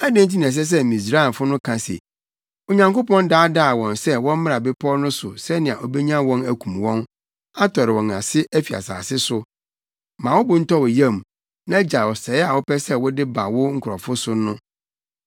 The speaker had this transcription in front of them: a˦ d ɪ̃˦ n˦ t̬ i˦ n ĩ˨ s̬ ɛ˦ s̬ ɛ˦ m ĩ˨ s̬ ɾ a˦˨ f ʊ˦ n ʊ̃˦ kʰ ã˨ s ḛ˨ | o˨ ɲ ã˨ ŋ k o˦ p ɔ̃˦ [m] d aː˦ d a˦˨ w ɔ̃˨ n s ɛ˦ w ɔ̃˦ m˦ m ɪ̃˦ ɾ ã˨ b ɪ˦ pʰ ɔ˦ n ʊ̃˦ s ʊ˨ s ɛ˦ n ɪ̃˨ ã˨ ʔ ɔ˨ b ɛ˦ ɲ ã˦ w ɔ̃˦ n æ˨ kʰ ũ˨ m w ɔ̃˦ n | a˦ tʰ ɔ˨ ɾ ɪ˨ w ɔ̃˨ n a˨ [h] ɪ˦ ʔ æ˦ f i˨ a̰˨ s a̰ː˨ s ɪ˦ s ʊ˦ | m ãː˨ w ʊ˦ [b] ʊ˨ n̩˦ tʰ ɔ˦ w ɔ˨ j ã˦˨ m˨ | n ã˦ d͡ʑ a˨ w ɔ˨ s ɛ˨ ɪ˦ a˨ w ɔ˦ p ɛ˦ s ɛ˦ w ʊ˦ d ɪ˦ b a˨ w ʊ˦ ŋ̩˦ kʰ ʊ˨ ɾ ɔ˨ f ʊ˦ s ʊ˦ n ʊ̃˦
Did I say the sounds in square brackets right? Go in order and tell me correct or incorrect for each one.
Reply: incorrect: n, incorrect: s, correct

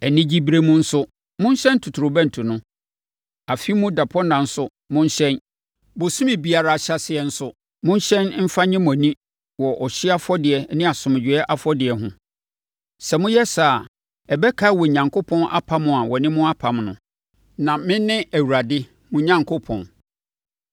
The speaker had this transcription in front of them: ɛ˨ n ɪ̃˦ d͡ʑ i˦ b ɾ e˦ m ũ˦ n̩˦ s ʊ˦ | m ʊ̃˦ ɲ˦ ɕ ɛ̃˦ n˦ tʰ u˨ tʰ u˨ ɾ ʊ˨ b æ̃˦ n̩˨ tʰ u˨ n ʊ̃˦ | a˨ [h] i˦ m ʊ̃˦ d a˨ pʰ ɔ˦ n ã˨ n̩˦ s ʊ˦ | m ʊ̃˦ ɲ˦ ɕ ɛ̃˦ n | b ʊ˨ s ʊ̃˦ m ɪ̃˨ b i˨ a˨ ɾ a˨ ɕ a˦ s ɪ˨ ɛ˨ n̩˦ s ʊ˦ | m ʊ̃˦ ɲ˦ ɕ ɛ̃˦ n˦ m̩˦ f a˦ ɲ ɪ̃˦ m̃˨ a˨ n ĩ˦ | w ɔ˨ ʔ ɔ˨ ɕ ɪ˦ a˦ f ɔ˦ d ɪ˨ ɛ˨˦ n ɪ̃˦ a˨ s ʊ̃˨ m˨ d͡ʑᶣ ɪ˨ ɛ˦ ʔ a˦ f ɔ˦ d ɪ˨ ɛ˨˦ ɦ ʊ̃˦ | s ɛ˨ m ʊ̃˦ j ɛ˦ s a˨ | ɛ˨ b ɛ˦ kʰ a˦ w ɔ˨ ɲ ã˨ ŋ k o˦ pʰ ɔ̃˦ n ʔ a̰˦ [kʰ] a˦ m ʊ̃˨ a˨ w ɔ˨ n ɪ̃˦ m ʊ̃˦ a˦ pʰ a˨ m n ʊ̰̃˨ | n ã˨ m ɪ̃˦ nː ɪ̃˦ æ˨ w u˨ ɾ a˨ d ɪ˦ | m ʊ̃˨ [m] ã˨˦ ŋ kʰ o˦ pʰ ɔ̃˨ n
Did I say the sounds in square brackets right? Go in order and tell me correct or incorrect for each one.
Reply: incorrect: f, incorrect: pʰ, incorrect: ɲ

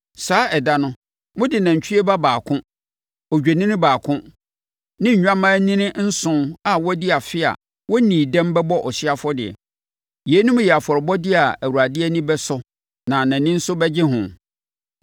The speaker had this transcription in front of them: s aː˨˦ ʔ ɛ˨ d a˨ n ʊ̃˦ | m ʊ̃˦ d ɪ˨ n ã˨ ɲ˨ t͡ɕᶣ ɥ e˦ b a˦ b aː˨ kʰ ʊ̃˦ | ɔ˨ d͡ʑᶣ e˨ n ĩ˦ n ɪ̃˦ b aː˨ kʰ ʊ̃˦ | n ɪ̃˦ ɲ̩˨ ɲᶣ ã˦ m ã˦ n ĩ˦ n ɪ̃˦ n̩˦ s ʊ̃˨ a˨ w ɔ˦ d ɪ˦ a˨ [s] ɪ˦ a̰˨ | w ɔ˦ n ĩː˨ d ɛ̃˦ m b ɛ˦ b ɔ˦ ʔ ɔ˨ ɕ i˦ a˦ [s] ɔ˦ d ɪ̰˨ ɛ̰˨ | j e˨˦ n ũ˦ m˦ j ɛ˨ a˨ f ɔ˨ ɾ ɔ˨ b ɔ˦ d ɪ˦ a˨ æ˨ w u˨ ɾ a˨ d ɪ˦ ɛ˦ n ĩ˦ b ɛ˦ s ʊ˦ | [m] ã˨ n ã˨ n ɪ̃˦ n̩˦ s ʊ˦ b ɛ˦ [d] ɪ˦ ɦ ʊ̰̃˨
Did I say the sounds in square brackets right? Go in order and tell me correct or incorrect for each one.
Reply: incorrect: f, incorrect: f, incorrect: n, incorrect: d͡ʑ

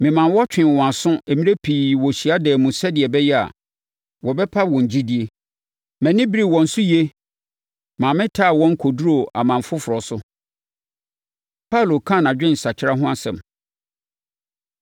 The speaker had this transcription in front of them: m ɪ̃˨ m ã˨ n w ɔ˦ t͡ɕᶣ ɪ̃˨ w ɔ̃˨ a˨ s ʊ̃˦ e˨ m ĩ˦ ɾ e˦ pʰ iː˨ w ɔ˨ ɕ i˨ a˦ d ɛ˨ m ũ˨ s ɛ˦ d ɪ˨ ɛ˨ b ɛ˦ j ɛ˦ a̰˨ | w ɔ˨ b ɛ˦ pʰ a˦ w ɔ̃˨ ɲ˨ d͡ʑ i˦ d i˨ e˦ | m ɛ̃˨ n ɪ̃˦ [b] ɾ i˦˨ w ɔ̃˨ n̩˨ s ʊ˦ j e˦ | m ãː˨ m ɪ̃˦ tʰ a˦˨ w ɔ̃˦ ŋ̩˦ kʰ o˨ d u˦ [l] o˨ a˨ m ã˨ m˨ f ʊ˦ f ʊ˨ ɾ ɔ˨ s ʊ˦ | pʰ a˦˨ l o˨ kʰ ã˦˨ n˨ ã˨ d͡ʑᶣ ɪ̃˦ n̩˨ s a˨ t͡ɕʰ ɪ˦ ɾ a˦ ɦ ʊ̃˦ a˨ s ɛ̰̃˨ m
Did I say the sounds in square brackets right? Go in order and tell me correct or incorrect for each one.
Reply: correct, incorrect: ɾ

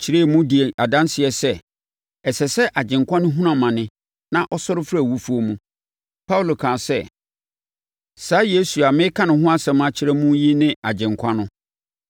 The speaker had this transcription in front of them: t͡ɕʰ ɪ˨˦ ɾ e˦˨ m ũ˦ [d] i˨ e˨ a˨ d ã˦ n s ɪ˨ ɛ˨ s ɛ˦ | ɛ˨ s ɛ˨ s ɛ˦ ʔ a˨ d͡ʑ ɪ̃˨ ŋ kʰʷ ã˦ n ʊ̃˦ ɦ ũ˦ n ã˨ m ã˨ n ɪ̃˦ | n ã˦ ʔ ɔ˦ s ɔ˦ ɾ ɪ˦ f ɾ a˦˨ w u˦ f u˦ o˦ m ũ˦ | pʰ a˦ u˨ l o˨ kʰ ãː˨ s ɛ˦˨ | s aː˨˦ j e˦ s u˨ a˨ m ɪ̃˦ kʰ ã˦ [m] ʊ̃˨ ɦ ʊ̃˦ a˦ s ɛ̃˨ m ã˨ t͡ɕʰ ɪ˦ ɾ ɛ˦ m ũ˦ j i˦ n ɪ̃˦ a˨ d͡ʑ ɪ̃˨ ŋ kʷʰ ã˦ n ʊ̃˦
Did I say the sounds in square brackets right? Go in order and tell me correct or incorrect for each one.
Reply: correct, incorrect: n

